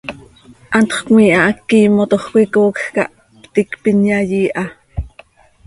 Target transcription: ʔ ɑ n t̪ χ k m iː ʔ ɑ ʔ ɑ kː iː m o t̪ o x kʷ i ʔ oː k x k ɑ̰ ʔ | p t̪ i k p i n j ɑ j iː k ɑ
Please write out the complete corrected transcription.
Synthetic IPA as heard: ʔ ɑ n t̪ χ k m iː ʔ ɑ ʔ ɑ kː iː m o t̪ o χ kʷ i k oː k x k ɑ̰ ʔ | p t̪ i k p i n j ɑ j iː ʔ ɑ